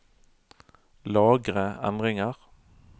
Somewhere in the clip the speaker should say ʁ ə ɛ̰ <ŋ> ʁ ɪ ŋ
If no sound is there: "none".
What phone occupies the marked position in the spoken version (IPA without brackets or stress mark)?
n